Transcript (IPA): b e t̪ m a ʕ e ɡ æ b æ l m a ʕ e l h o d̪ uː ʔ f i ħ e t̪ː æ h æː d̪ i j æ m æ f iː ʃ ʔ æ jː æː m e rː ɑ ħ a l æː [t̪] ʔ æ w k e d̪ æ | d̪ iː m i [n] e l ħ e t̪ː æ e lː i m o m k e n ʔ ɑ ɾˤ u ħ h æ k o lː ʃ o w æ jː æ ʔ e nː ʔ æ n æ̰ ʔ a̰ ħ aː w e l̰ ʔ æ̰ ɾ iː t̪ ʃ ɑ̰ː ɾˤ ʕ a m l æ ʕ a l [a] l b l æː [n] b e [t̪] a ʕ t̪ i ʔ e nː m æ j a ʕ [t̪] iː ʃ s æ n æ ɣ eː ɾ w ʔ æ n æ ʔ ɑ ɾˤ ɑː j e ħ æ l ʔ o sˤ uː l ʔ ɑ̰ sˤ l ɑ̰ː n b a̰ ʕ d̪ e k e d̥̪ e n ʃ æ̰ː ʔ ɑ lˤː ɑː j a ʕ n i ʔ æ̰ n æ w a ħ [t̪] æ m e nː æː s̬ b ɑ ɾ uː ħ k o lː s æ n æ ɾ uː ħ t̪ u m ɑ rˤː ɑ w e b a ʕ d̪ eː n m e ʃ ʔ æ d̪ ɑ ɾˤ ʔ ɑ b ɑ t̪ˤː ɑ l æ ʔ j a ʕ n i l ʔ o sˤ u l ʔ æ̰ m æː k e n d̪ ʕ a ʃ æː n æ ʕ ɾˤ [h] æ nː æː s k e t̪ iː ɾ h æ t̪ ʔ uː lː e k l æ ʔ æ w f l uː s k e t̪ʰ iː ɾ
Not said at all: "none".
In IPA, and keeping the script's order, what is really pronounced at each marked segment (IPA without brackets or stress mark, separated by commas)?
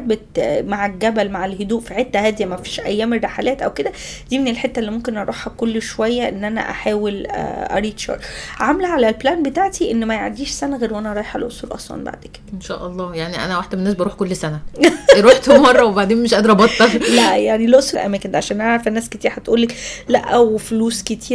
t̪, n, æ, n, t̪, d̪, d̪, f